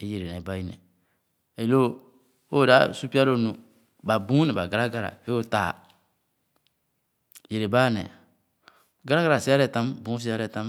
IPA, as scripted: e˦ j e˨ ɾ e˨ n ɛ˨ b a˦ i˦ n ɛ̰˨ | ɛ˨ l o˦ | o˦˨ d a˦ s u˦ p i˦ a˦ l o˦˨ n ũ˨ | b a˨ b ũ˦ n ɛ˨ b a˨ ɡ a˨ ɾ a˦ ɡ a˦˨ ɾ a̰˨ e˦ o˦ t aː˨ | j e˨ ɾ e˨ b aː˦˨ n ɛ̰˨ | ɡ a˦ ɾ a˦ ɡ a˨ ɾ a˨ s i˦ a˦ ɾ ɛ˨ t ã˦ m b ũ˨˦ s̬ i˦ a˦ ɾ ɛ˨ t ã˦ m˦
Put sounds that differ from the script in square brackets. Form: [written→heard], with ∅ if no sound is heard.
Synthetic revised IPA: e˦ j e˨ ɾ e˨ n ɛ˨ b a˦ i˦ n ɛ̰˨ | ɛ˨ l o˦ | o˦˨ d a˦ s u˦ p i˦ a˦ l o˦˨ n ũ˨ | b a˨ b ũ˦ n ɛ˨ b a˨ ɡ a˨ ɾ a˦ ɡ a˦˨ ɾ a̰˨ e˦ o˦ t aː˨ | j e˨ ɾ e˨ b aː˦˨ n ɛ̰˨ | ɡ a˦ ɾ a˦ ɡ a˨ ɾ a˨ s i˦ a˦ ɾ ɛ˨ t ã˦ m b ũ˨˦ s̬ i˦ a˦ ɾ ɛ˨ t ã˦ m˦